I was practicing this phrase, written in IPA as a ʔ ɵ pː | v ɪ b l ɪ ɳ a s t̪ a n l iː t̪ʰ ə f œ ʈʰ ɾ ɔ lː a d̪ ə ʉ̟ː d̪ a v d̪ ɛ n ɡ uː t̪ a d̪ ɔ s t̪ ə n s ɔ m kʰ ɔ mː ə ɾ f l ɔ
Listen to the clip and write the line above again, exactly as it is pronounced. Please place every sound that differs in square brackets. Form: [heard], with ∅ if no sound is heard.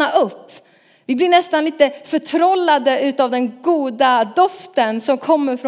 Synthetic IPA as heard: a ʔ ɵ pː | v ɪ b l ɪ ɳ [ɛ] s t̪ a n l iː [t̪] ə f œ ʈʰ ɾ ɔ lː a d̪ ə ʉ̟ː [t̪] a v d̪ ɛ n ɡ uː [d̪] a d̪ ɔ [f] t̪ ə n s ɔ m kʰ ɔ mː ə ɾ f [ɾ] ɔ